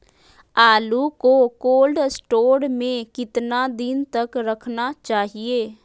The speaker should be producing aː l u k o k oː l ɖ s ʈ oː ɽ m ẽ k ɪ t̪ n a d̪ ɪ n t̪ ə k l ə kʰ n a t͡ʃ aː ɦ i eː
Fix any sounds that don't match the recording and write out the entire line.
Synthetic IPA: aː l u k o k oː l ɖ s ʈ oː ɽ m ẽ k ɪ t̪ n a d̪ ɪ n t̪ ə k ɾ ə kʰ n a t͡ʃ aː ɦ i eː

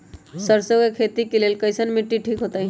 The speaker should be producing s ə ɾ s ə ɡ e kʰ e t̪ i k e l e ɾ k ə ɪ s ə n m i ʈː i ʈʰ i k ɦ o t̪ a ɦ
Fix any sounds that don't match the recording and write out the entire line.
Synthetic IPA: s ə ɾ s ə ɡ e kʰ e t̪ i k e l e l k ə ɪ s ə n m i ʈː i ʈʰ i k ɦ o t̪ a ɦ

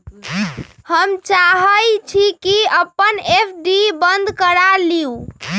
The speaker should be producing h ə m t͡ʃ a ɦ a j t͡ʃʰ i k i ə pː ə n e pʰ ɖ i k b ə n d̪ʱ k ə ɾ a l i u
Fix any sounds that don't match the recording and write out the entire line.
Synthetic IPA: h ə m t͡ʃ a ɦ ə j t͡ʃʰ i k i ə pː ə n e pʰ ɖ i b ə n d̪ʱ k ə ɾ a l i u

